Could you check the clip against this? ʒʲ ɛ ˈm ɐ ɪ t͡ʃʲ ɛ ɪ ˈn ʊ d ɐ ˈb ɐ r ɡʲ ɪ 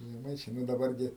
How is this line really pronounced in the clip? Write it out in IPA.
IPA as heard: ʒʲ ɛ ˈm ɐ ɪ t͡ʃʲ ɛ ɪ ˈn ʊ d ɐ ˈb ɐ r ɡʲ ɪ